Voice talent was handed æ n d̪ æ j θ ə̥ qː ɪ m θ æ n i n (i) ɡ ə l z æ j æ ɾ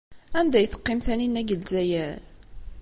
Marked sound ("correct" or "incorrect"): incorrect